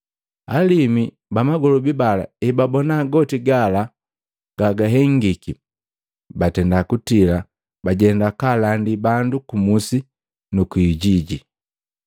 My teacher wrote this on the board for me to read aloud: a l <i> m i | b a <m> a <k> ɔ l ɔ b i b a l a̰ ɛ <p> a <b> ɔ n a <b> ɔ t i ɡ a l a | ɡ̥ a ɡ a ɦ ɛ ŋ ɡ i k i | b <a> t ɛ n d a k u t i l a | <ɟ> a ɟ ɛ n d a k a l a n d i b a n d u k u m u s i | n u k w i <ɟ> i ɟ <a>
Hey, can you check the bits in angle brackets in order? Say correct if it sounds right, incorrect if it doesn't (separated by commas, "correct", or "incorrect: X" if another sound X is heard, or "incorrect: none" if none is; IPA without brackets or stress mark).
correct, correct, incorrect: ɡ, incorrect: b, correct, incorrect: ɡ, correct, incorrect: b, correct, incorrect: i